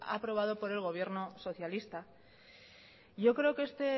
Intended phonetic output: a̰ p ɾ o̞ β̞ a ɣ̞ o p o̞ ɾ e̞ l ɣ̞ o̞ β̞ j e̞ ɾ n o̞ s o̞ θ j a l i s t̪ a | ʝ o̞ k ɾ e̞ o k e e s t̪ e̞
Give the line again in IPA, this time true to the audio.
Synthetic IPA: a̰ p ɾ o̞ β̞ a ð̞ o p o̞ ɾ e̞ l ɣ̞ o̞ β̞ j e̞ ɾ n o̞ s o̞ θ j a l i s t̪ a | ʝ o̞ k ɾ e̞ o k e e s t̪ e̞